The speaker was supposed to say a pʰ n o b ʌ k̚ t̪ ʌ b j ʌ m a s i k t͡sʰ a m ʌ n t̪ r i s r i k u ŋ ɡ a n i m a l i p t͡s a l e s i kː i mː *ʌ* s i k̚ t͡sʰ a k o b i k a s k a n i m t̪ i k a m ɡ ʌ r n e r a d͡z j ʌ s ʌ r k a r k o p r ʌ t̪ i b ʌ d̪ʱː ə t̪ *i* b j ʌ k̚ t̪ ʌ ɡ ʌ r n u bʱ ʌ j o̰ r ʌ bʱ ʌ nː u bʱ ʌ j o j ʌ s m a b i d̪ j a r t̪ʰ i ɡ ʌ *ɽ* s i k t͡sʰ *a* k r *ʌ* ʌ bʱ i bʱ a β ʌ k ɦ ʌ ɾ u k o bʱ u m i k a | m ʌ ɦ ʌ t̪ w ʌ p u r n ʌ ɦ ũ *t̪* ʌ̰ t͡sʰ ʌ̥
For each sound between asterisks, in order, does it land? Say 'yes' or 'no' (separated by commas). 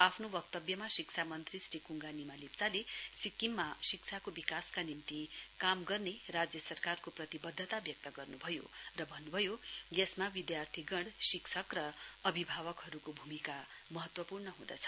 no, no, yes, no, yes, no